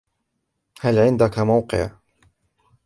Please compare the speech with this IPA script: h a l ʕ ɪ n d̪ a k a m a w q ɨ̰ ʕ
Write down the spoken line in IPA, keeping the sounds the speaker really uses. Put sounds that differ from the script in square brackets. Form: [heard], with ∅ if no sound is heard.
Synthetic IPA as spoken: h a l ʕ ɪ n d̪ a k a m a w q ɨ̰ ʕ